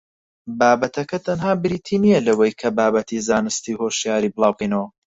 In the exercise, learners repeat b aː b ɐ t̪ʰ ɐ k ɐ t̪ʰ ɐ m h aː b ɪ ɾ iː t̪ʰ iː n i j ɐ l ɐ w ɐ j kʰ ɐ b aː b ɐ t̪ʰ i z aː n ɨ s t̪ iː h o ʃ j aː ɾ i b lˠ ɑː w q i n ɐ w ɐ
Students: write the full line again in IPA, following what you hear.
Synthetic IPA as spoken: b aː b ɐ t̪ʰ ɐ k ɐ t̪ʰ ɐ n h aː b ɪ ɾ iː t̪ʰ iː n i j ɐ l ɐ w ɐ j kʰ ɐ b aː b ɐ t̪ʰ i z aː n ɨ s t̪ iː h o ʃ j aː ɾ i b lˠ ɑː w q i n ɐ w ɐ